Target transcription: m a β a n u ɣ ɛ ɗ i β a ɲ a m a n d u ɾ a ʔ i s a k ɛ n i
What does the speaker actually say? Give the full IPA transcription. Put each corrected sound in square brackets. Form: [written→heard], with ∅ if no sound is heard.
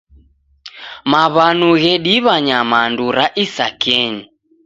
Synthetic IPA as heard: m a β a n u ɣ ɛ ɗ i β a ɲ a m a n d u ɾ a ʔ i s a k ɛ [n→ɲ] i